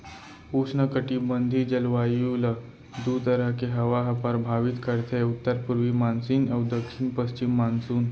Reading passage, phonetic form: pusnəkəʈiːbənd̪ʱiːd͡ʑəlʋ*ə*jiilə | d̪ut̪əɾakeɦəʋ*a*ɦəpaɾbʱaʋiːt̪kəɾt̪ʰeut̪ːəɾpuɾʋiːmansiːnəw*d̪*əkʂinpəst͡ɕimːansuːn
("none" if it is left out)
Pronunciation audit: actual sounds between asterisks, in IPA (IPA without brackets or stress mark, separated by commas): a, a, d̪